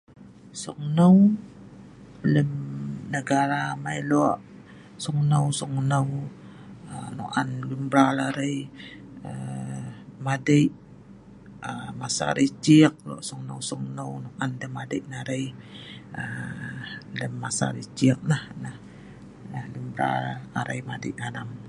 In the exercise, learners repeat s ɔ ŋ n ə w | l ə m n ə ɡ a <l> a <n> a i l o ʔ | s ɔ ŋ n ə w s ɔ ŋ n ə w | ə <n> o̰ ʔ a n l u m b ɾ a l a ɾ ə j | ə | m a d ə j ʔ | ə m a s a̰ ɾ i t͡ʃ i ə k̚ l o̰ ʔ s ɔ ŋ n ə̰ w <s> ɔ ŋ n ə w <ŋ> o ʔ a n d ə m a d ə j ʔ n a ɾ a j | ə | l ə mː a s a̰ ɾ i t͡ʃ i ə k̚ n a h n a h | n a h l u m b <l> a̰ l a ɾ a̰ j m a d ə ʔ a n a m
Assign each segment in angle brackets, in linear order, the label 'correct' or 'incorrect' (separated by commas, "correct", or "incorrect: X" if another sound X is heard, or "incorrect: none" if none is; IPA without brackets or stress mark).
incorrect: ɾ, incorrect: m, correct, correct, incorrect: n, incorrect: ɾ